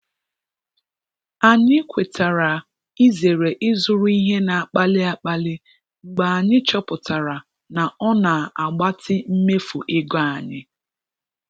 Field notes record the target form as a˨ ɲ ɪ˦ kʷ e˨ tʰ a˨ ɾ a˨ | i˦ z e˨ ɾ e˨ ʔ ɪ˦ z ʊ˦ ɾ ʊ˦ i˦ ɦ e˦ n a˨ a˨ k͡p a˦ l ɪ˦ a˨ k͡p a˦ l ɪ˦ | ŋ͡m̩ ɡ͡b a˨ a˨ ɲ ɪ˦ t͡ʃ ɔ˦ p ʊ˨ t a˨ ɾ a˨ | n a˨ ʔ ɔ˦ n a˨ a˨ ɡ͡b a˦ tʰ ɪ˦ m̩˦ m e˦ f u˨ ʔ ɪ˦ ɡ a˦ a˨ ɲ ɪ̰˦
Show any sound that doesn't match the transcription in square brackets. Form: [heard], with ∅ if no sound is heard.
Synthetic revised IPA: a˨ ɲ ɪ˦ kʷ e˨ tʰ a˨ ɾ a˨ | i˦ z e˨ ɾ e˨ ʔ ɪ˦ z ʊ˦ ɾ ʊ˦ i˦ ɦ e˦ n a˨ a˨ k͡p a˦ l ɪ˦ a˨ k͡p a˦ l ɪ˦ | ŋ͡m̩ ɡ͡b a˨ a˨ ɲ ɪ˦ t͡ʃ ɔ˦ p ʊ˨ t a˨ ɾ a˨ | n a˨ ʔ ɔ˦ n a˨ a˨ ɡ͡b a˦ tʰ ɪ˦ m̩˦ m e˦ f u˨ ʔ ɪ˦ ɡ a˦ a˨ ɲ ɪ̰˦

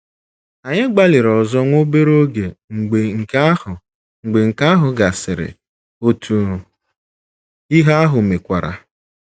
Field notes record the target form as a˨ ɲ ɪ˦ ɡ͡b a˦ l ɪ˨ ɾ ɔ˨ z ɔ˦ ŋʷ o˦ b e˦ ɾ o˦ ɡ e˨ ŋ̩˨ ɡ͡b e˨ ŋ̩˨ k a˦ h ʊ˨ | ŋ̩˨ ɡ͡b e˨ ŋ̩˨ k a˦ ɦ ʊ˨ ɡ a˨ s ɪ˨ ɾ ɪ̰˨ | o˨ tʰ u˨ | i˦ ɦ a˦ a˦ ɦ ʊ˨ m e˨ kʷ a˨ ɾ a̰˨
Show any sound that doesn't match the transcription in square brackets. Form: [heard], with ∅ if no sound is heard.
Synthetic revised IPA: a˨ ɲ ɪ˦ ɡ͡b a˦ l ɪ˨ ɾ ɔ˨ z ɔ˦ ŋʷ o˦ b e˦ ɾ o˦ ɡ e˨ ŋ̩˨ ɡ͡b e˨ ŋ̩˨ k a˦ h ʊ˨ | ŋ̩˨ ɡ͡b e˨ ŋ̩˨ k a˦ ɦ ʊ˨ ɡ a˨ s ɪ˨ ɾ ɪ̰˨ | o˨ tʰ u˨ | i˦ ɦ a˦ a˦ ɦ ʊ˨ m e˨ kʷ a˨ ɾ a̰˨

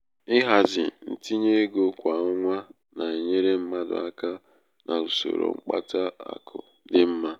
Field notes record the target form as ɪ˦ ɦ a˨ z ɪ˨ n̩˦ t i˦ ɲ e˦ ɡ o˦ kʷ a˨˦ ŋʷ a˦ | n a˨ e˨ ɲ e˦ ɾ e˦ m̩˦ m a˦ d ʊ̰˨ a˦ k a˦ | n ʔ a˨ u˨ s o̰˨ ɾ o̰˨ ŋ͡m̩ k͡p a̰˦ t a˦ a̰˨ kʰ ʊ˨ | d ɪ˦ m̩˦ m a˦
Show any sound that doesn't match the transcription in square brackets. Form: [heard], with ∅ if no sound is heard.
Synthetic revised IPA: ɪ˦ ɦ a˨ z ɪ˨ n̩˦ t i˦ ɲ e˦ ɡ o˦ kʷ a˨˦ ŋʷ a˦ | n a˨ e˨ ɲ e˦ ɾ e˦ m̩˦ m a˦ d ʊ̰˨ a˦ k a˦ | n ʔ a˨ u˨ s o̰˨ ɾ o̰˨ ŋ͡m̩ k͡p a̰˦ t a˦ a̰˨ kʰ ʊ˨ | d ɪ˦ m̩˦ m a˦

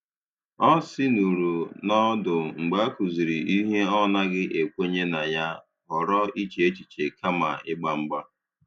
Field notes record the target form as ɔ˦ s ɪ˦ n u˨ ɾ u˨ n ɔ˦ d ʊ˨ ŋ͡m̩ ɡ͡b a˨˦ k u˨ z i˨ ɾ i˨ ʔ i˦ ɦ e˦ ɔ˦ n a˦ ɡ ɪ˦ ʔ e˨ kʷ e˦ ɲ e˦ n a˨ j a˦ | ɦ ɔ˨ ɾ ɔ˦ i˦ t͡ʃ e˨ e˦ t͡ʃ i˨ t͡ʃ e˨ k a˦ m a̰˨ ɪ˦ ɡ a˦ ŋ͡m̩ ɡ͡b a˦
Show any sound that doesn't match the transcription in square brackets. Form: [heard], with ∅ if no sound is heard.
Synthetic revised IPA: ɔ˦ s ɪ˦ n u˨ ɾ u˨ n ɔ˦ d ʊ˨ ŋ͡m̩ ɡ͡b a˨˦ k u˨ z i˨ ɾ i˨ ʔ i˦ ɦ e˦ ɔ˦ n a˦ ɡ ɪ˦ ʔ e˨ kʷ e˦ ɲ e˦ n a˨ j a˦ | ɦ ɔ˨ ɾ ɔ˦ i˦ t͡ʃ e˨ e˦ t͡ʃ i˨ t͡ʃ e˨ k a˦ m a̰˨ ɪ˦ [ɡ͡b] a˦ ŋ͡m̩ ɡ͡b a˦

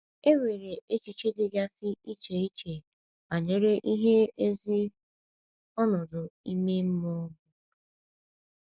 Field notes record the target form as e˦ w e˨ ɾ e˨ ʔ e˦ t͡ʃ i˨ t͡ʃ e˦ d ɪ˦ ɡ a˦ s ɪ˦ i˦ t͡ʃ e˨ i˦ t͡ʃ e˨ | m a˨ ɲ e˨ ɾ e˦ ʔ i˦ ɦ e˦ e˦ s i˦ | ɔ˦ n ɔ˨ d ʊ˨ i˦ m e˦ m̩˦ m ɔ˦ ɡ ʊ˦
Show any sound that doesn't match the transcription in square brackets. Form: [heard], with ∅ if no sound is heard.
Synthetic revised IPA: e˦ w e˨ ɾ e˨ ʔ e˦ t͡ʃ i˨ t͡ʃ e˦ d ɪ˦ ɡ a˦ s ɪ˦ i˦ t͡ʃ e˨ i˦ t͡ʃ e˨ | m a˨ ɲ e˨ ɾ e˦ ʔ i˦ ɦ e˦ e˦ [z] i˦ | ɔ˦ n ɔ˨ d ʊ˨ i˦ m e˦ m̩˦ m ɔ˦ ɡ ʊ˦

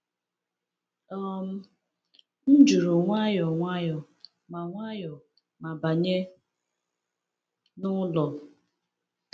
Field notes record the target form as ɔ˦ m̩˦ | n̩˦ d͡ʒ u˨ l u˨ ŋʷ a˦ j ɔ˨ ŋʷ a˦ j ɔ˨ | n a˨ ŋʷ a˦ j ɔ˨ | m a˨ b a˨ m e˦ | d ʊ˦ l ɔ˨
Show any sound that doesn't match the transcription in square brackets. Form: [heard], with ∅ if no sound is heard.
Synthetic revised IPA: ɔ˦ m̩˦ | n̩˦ d͡ʒ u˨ [ɾ] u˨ ŋʷ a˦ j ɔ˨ ŋʷ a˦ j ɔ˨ | [m] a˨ ŋʷ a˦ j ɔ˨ | m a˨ b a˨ [ɲ] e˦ | [n] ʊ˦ l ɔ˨

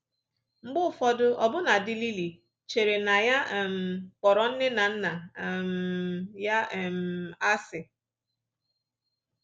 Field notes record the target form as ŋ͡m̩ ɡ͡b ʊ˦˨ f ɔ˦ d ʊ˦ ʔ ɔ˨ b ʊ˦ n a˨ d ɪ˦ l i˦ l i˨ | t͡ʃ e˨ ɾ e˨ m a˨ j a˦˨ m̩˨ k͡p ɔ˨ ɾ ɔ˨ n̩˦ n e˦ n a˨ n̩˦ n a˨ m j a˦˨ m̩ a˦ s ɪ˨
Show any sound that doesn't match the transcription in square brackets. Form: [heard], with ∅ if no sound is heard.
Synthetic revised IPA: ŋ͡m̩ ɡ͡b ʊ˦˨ f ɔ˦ d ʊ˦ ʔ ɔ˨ b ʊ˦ n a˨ d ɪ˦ l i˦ l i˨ | t͡ʃ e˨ ɾ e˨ [n] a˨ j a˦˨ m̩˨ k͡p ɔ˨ ɾ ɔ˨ n̩˦ n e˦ n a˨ n̩˦ n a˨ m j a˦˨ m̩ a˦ s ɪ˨

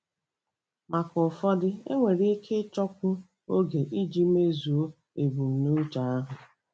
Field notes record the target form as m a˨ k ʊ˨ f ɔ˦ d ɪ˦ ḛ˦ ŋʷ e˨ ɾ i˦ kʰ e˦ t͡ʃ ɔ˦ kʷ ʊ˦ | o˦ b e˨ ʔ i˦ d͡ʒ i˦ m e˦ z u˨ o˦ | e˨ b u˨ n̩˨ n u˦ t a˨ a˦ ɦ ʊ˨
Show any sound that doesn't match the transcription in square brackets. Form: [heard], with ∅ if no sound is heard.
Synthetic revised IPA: m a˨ k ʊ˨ f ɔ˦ d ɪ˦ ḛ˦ ŋʷ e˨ ɾ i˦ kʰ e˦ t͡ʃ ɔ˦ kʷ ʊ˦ | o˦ [ɡ] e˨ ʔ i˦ d͡ʒ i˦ m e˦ z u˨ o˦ | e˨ b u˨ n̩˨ n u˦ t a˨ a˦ ɦ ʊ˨

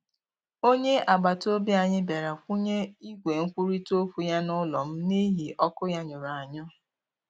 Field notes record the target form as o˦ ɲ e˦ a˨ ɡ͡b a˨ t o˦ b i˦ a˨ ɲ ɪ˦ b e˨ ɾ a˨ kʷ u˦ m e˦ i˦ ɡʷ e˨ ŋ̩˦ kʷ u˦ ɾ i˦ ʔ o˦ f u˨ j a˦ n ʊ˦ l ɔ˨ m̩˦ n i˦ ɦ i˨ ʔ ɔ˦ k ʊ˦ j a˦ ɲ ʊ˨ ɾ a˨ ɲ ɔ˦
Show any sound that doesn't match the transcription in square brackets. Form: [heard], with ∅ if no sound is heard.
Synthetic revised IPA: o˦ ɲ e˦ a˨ ɡ͡b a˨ t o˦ b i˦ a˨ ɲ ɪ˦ b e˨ ɾ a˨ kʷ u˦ [ɲ] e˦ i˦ ɡʷ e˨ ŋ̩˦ kʷ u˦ ɾ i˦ [t] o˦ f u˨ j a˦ n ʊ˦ l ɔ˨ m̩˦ n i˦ ɦ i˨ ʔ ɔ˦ k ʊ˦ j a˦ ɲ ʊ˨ ɾ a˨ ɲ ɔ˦

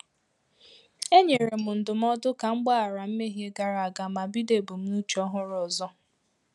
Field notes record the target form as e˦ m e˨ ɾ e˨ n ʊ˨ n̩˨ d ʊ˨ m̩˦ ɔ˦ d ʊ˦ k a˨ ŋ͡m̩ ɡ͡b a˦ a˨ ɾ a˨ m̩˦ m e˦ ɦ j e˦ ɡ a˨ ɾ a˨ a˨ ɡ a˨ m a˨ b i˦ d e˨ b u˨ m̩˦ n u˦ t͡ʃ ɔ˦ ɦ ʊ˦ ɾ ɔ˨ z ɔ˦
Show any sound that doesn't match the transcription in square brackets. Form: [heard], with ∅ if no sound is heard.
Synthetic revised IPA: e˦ [ɲ] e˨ ɾ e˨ [m] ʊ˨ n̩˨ d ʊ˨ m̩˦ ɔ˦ d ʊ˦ k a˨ ŋ͡m̩ ɡ͡b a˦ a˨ ɾ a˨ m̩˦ m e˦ ɦ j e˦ ɡ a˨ ɾ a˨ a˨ ɡ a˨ m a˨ b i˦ d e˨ b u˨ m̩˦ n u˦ t͡ʃ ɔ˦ ɦ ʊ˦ ɾ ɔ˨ z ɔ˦

